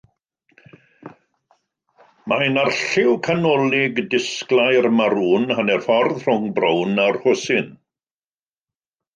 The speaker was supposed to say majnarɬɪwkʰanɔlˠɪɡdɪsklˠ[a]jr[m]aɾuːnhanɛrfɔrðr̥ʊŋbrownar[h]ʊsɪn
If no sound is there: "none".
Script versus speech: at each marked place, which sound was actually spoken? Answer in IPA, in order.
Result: a, m, h

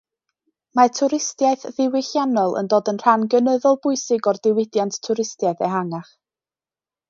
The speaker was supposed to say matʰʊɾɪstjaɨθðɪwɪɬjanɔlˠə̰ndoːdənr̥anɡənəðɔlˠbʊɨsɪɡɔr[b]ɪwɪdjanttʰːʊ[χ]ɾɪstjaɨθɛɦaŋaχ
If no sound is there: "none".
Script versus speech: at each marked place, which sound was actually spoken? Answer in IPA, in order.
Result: d, none

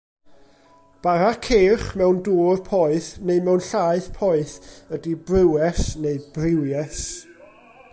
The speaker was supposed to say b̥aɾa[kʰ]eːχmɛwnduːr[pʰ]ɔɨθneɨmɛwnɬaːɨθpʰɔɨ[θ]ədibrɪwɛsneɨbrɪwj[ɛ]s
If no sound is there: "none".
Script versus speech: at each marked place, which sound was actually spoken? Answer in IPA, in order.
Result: kʰ, pʰ, θ, ɛ

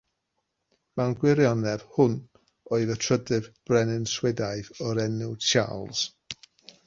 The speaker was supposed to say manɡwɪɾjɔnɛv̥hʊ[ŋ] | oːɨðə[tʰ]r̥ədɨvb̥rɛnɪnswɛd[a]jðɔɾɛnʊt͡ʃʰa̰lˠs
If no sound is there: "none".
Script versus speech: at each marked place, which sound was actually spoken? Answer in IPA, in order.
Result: n, tʰ, a

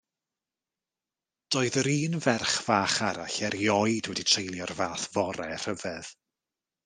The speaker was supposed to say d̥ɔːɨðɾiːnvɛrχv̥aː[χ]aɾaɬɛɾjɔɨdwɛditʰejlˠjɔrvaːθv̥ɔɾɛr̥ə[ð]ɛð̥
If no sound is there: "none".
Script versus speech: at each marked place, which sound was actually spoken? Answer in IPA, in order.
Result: χ, v

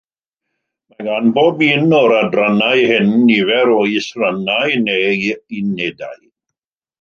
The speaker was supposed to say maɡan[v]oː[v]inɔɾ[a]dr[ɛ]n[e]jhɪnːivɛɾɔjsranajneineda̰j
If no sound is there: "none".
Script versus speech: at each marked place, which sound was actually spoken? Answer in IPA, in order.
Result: b, b, a, a, a

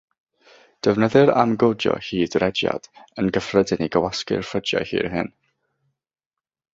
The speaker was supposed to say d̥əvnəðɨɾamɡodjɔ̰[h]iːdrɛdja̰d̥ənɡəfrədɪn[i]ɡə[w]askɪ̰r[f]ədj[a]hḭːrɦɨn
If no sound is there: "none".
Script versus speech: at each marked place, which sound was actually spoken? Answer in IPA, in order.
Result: h, i, w, f, a

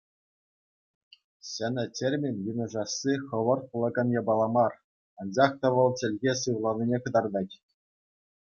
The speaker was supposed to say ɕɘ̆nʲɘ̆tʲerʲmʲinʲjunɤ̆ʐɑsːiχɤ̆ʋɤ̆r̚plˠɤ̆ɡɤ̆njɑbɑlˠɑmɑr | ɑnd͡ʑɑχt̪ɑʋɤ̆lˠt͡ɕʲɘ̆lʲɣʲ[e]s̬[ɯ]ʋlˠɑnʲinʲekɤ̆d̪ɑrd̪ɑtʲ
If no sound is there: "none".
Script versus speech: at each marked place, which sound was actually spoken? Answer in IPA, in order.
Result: e, ɯ

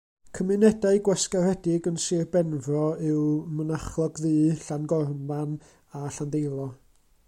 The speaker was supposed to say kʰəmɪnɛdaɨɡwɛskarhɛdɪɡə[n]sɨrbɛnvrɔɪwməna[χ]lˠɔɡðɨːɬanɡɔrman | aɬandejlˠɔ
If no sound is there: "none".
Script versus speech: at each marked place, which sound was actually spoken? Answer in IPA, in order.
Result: n, χ

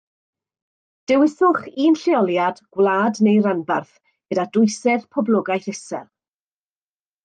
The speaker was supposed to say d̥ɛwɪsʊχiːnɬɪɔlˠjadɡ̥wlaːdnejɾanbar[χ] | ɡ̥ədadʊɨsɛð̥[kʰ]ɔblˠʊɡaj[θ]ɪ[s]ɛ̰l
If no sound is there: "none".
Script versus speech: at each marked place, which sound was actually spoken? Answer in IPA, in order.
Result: θ, pʰ, θ, s

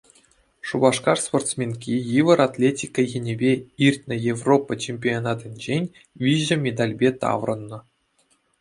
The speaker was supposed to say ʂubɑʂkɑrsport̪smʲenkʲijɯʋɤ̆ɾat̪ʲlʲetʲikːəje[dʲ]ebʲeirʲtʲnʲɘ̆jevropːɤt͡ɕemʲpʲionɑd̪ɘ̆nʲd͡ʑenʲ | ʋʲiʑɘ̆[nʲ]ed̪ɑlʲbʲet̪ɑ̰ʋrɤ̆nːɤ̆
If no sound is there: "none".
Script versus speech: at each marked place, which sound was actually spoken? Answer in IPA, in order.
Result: nʲ, mʲ

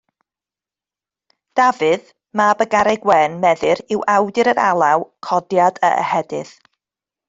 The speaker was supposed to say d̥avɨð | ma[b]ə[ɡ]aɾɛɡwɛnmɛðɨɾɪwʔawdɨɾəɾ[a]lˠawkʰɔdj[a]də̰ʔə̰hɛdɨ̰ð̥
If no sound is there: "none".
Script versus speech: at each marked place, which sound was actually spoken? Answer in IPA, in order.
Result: b, ɡ, a, a

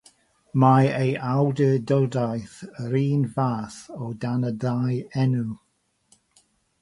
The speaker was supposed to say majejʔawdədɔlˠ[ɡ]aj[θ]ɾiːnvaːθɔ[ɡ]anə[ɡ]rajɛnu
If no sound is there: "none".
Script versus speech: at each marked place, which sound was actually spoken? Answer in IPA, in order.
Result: d, θ, d, d

